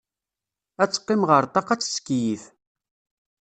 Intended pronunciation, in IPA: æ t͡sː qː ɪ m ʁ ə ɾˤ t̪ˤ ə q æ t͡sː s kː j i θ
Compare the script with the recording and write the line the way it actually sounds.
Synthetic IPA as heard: æ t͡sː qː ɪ m ʁ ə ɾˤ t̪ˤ ɑ q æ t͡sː s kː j i θ